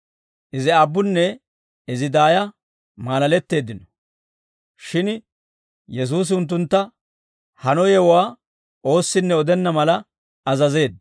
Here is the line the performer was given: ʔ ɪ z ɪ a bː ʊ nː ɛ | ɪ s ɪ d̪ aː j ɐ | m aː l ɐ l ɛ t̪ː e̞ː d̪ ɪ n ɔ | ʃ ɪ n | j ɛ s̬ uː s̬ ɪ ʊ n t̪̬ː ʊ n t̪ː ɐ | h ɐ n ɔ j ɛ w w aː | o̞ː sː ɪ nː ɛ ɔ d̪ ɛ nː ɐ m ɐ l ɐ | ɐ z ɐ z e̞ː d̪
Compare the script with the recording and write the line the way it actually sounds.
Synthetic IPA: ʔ ɪ z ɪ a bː ʊ nː ɛ | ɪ z ɪ d̪ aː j ɐ | m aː l ɐ l ɛ t̪ː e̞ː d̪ ɪ n ɔ | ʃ ɪ n | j ɛ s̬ uː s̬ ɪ ʊ n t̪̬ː ʊ n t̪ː ɐ | h ɐ n ɔ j ɛ w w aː | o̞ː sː ɪ nː ɛ ɔ d̪ ɛ nː ɐ m ɐ l ɐ | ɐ z ɐ z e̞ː d̪